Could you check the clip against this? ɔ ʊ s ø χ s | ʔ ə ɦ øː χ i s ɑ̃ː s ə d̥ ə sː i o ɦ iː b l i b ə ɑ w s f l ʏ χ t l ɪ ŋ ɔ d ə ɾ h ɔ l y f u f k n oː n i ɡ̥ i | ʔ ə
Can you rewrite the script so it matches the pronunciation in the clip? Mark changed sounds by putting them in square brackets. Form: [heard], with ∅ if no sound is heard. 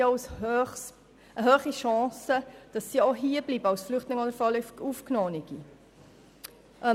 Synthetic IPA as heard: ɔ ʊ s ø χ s | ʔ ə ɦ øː χ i [ʃ] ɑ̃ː s ə d̥ [ɑ] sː i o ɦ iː b l i b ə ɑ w s f l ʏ χ t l ɪ ŋ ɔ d ə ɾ [f] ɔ l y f u f k n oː n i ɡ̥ i | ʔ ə

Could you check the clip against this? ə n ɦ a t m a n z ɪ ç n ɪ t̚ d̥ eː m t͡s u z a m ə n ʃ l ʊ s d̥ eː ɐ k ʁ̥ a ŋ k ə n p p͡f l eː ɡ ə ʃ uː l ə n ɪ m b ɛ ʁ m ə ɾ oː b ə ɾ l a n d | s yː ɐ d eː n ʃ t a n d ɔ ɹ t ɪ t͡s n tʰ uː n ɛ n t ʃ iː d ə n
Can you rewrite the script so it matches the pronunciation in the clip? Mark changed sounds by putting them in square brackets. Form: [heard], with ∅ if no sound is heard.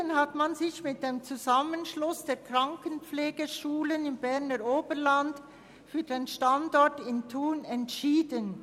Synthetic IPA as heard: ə n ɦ a t m a n z ɪ ç [m] ɪ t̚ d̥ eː m t͡s u z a m ə n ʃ l ʊ s d̥ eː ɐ k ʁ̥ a ŋ k ə n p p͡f l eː ɡ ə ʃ uː l ə n ɪ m b ɛ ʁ [n] ə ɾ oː b ə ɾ l a n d | [f] yː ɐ d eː n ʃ t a n d ɔ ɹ t ɪ [∅] n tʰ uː n ɛ n t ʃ iː d ə n

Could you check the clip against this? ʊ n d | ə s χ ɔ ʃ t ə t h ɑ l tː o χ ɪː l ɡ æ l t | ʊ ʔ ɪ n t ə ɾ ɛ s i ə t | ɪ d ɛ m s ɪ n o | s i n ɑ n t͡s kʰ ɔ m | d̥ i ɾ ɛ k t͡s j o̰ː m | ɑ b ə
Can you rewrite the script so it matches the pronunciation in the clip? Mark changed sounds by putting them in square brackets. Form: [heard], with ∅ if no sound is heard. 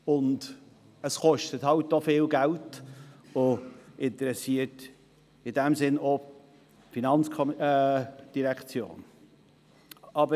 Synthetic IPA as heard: ʊ n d | ə s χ ɔ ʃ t ə t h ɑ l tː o [f] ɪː l ɡ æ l t | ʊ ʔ ɪ n t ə ɾ ɛ s i ə t | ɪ d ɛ m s ɪ n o | [f] i n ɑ n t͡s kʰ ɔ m | d̥ i ɾ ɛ k t͡s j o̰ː [n] | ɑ b ə

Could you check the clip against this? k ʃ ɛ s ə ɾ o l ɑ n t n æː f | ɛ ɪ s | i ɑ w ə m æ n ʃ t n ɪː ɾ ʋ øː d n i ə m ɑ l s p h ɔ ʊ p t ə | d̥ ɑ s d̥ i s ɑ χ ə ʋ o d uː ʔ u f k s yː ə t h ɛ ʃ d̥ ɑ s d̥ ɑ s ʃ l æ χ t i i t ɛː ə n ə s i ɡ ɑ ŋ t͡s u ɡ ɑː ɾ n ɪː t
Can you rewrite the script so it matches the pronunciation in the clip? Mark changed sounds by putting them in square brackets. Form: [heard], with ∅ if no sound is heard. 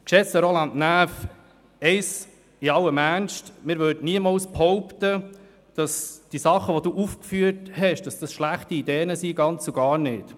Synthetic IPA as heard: k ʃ ɛ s ə ɾ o l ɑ n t n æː f | ɛ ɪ s | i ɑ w ə m æ n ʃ t [m] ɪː ɾ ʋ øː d n i ə m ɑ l s p h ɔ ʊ p t ə | d̥ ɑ s d̥ i s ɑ χ ə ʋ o d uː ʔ u f k [f] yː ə t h ɛ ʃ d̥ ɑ s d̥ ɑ s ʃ l æ χ t i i [d] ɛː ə n ə s i ɡ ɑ [n] t͡s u ɡ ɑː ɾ n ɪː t

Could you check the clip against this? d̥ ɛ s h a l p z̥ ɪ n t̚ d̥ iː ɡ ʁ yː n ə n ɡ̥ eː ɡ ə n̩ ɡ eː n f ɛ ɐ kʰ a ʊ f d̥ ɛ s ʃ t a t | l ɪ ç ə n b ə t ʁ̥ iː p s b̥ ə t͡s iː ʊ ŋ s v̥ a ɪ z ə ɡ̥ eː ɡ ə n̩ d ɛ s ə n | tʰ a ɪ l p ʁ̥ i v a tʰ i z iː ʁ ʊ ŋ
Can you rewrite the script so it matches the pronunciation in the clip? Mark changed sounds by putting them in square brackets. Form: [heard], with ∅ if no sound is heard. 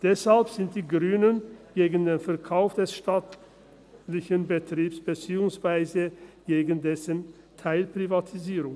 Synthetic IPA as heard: d̥ ɛ s h a l p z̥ ɪ n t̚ d̥ iː ɡ ʁ yː n ə n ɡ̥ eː ɡ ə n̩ [d] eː n f ɛ ɐ kʰ a ʊ f d̥ ɛ s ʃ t a t | l ɪ ç ə n b ə t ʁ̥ iː p s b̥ ə t͡s iː ʊ ŋ s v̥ a ɪ z ə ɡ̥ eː ɡ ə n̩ d ɛ s ə n | tʰ a ɪ l p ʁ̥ i v a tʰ i z iː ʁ ʊ ŋ

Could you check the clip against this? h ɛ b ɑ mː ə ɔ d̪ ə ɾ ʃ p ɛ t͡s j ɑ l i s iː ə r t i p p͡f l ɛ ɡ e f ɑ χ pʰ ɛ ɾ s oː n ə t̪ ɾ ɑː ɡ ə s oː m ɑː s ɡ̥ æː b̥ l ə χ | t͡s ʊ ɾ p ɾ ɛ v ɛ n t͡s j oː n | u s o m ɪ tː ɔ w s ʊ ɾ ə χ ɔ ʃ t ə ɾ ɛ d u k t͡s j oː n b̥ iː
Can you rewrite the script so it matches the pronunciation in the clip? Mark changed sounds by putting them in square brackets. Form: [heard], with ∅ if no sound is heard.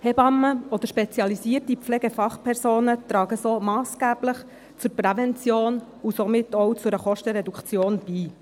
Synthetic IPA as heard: h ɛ b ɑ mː ə ɔ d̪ ə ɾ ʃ p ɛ t͡s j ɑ l i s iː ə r t i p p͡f l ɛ ɡ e f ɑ χ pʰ ɛ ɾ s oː n ə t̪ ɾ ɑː ɡ ə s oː m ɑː s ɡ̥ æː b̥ l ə χ | t͡s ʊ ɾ p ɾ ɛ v ɛ n t͡s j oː n | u s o m ɪ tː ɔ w [t͡s] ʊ ɾ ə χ ɔ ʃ t ə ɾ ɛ d u k t͡s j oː n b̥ iː

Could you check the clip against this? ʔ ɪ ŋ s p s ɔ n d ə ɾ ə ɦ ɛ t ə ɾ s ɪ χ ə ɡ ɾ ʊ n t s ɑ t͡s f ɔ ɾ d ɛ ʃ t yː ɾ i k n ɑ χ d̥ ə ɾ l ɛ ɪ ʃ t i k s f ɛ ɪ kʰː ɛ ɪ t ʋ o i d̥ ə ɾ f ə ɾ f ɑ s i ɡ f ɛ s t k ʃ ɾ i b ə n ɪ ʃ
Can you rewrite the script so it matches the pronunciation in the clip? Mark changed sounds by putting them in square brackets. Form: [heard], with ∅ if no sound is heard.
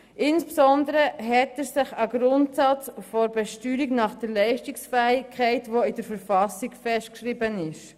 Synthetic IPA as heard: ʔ ɪ [n] s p s ɔ n d ə ɾ ə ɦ ɛ t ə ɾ s ɪ χ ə ɡ ɾ ʊ n t s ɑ t͡s f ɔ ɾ [b] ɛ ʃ t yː ɾ i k n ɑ χ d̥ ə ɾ l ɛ ɪ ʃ t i k s f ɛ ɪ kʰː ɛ ɪ t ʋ o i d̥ ə ɾ f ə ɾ f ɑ s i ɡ f ɛ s t k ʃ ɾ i b ə n ɪ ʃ

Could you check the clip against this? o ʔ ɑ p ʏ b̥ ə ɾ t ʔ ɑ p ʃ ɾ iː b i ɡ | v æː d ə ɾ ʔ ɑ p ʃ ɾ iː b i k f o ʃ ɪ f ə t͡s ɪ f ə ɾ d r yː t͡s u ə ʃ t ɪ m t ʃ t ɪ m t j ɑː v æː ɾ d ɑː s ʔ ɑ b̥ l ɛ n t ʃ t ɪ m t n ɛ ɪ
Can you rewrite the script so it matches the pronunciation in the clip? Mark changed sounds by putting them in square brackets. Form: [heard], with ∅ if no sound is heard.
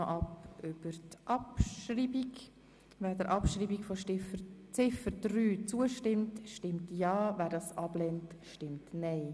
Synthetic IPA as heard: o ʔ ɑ p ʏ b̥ ə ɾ t ʔ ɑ p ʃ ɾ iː b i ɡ | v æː d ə ɾ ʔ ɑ p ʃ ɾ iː b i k f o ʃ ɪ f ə t͡s ɪ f ə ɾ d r yː t͡s u ə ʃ t ɪ m t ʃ t ɪ m t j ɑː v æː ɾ d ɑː s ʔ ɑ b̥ l ɛ n t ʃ t ɪ m t n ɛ ɪ

